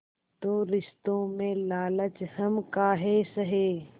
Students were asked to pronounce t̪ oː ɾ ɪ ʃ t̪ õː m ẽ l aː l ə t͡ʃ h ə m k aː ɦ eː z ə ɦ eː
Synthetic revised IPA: t̪ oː ɾ ɪ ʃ t̪ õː m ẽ l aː l ə t͡ʃ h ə m k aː ɦ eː s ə ɦ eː